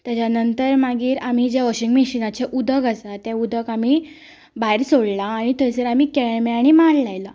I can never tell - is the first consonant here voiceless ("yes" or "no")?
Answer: yes